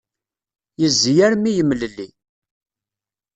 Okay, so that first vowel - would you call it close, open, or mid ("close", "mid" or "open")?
mid